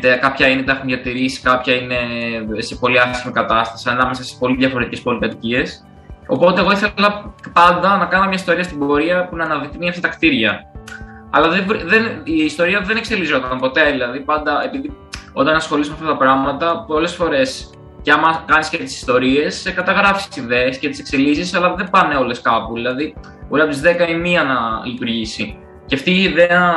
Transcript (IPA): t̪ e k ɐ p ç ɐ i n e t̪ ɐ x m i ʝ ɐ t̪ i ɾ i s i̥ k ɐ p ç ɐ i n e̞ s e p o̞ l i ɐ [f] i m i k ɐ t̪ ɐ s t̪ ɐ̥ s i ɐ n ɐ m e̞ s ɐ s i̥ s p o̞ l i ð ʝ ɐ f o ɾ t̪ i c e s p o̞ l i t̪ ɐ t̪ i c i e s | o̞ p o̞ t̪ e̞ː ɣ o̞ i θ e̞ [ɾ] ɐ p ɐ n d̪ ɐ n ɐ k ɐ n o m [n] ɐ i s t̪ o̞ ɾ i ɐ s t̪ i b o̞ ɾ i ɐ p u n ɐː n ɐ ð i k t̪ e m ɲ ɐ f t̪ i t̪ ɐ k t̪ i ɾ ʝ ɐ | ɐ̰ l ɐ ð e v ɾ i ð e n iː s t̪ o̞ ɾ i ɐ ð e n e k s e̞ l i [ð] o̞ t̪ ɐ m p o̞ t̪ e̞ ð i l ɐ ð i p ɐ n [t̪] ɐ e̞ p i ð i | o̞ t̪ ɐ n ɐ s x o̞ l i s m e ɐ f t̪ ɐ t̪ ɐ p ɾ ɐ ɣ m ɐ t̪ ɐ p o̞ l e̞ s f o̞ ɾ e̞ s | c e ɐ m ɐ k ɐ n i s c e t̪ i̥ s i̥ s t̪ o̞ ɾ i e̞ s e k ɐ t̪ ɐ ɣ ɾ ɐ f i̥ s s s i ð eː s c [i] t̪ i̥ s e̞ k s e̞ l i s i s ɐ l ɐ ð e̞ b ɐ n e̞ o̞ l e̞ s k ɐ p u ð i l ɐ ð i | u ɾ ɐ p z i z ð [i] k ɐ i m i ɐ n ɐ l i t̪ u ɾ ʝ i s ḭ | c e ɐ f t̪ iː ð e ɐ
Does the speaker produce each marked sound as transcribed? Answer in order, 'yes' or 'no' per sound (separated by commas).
no, no, no, no, no, no, no